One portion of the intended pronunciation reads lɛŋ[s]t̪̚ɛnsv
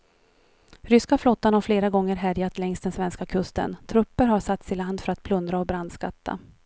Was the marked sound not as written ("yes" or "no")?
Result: no